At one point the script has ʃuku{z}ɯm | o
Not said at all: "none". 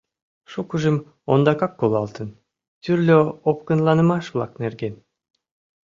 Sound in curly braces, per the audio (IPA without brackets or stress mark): ʒ